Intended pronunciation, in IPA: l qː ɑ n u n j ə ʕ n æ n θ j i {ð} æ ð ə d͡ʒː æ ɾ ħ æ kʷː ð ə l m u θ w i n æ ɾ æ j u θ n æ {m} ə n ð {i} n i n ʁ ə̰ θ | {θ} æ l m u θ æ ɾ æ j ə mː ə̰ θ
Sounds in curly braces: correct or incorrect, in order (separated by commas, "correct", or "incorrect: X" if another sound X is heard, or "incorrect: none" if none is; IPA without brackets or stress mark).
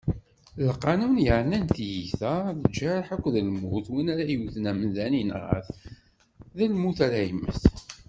incorrect: θ, correct, incorrect: æ, incorrect: ð